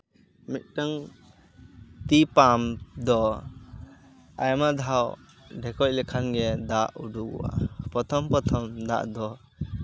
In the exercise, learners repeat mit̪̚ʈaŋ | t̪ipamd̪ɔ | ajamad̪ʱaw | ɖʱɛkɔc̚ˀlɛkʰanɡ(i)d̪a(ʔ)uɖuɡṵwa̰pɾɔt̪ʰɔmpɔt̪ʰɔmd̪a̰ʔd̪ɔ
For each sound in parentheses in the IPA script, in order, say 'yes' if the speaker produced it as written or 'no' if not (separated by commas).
no, yes